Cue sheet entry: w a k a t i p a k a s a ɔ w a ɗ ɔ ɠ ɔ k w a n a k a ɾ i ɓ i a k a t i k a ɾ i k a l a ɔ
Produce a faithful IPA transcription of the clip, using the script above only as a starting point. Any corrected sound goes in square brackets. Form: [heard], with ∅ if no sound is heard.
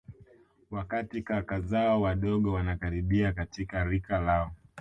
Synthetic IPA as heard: w a k a t i [k] a k a [z] a ɔ w a ɗ ɔ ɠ ɔ [∅] w a n a k a ɾ i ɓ i a k a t i k a ɾ i k a l a ɔ